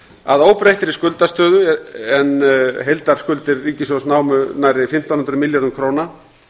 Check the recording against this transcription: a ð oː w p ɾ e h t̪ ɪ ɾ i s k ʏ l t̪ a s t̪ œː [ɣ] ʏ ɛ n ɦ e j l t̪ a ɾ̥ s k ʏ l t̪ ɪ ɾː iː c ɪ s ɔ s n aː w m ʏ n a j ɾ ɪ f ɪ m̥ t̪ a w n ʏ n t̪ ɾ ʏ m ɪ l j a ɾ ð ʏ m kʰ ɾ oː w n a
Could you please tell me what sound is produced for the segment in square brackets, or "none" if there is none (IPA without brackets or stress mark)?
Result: ð